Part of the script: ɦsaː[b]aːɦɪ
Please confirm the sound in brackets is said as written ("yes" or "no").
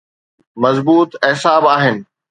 yes